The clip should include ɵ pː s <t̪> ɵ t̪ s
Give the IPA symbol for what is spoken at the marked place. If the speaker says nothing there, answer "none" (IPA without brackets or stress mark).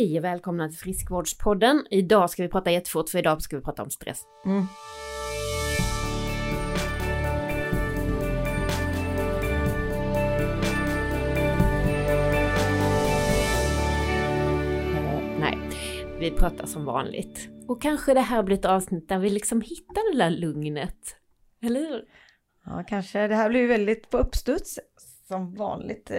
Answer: t̪